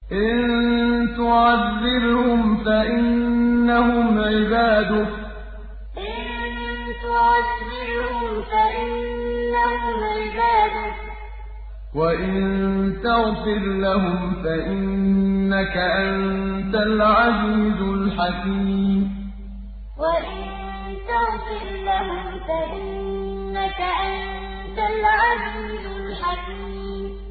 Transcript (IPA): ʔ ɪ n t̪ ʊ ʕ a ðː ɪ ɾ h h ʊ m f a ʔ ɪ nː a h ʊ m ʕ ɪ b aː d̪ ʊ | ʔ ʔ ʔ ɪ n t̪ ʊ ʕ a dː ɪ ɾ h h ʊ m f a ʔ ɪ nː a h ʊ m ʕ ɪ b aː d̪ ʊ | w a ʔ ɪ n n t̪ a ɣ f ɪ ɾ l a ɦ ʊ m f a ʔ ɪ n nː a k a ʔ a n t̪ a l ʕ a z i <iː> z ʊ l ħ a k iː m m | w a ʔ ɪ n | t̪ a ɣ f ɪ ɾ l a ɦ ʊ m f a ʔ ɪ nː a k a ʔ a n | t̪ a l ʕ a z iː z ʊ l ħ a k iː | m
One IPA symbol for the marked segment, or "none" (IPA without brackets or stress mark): iː